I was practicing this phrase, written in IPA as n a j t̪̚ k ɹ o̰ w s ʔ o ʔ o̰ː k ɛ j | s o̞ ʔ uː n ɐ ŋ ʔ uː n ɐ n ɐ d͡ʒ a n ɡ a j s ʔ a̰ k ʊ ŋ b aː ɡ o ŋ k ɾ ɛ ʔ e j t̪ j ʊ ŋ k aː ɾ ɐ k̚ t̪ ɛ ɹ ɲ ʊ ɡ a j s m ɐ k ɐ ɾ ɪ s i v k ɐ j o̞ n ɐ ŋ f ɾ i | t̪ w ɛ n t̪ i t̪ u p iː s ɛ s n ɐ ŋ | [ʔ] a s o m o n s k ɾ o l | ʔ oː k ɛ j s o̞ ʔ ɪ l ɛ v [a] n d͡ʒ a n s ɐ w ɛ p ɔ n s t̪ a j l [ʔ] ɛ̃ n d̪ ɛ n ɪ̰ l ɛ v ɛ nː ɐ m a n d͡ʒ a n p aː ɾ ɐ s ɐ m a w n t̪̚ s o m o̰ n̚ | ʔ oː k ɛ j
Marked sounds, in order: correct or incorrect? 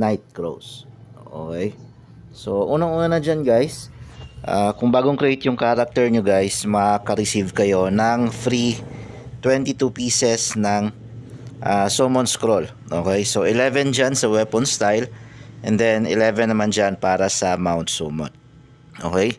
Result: correct, incorrect, correct

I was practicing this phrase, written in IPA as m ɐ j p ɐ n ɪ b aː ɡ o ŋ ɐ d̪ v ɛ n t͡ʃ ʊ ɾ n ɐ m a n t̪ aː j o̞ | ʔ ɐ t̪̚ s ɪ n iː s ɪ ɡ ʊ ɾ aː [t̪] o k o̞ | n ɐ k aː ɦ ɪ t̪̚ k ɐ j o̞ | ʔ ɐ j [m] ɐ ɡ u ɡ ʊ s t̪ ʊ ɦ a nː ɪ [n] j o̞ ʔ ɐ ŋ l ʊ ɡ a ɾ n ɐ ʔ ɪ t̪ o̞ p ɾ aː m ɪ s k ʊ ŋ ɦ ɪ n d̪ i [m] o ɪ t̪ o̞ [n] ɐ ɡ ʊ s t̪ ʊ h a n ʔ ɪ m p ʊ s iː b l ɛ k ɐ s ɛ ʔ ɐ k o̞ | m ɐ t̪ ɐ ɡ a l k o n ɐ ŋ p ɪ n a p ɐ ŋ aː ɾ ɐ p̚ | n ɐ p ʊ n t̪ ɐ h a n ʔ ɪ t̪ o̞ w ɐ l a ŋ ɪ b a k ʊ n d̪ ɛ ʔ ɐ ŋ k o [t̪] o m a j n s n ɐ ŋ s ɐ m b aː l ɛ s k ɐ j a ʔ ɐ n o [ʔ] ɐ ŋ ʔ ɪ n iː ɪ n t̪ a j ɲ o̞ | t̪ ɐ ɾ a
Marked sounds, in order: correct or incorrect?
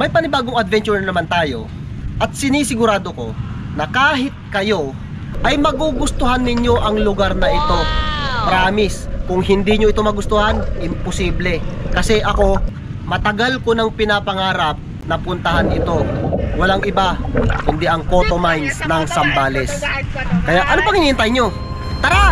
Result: incorrect, correct, incorrect, incorrect, incorrect, correct, incorrect

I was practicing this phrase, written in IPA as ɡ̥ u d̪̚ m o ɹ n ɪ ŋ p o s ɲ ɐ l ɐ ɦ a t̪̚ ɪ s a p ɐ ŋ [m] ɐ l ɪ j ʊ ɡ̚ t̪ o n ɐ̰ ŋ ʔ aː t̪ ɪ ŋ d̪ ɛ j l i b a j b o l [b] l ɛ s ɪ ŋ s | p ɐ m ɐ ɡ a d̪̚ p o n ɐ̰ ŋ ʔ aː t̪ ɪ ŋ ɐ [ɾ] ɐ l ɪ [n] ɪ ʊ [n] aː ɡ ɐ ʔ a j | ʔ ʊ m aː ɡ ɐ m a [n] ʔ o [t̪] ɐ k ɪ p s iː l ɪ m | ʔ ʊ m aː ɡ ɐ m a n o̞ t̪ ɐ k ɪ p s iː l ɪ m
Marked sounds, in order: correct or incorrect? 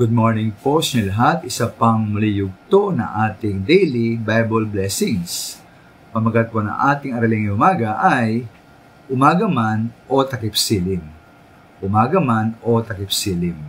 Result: correct, correct, correct, incorrect, incorrect, correct, correct

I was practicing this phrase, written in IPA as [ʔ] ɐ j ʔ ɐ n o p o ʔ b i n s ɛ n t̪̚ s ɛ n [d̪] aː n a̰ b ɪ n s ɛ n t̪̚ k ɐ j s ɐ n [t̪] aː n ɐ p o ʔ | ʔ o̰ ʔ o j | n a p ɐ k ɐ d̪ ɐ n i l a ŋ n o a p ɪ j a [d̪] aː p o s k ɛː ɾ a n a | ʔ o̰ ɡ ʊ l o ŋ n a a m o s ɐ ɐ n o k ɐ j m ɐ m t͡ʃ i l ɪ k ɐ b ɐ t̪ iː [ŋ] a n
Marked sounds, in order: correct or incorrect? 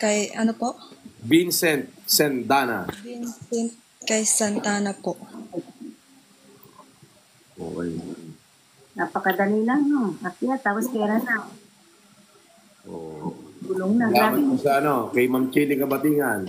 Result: incorrect, correct, correct, incorrect, correct

